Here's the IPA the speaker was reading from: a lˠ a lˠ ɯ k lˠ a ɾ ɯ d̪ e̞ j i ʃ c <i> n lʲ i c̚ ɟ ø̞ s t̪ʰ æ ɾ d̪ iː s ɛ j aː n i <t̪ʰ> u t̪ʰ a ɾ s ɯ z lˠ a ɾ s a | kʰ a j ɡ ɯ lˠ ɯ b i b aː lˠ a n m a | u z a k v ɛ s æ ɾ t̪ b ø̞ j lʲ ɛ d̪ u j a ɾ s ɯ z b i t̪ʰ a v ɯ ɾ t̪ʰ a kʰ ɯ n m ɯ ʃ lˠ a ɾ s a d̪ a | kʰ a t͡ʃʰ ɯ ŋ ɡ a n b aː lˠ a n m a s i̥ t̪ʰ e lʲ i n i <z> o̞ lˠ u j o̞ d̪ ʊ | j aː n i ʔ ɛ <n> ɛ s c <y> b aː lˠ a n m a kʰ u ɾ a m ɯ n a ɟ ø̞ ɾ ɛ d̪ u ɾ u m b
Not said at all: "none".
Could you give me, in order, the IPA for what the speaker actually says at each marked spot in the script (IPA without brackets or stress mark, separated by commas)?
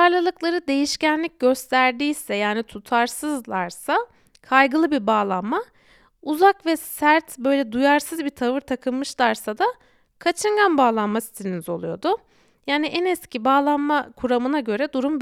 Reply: æ, t̪ʰ, z, n, i